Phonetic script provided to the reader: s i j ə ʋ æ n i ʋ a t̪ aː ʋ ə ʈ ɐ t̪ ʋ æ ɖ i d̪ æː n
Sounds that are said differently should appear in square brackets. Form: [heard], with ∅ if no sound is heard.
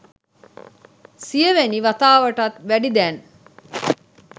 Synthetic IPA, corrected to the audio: s i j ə ʋ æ n i ʋ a t̪ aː ʋ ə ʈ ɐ t̪ ʋ æ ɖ i d̪ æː n